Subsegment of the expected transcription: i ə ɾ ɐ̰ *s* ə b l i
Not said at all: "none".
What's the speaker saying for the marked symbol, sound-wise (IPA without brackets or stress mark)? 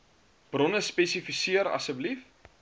s